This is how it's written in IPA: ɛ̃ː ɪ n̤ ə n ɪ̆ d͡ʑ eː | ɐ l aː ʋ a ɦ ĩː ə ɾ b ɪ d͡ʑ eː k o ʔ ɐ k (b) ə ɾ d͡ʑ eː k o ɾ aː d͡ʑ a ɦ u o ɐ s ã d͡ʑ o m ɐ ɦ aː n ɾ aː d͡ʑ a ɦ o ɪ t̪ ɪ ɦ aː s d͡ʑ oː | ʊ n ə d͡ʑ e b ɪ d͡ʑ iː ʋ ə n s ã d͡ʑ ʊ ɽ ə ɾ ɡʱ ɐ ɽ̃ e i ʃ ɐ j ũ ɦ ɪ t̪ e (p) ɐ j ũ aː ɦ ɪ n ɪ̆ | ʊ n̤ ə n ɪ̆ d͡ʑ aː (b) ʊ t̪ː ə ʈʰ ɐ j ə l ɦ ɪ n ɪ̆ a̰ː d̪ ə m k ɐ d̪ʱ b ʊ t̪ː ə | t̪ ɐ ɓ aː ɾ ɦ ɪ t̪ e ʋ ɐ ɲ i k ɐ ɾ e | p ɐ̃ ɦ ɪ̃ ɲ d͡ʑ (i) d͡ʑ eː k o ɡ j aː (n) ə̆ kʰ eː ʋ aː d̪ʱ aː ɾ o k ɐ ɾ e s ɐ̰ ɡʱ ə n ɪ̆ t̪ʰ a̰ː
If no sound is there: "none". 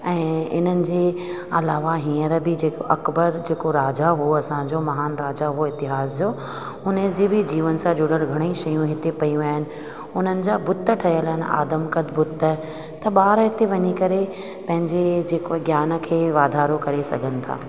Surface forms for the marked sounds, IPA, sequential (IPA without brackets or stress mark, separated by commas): b, p, b, e, n